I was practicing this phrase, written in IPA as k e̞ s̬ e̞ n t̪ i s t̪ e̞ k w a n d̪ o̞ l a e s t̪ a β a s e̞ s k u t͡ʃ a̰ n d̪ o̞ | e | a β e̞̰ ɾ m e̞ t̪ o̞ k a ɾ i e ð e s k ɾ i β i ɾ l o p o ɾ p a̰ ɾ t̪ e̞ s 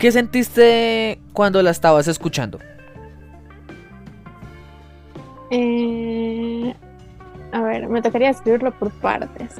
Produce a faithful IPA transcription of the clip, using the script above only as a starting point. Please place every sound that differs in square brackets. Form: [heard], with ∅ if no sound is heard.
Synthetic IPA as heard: k e̞ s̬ e̞ n t̪ i s t̪ e̞ k w a n d̪ o̞ l a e s t̪ a β a s e̞ s k u t͡ʃ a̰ n d̪ o̞ | e | a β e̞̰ ɾ m e̞ t̪ o̞ k a ɾ i [a] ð e s k ɾ i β i ɾ l o p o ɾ p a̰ ɾ t̪ e̞ s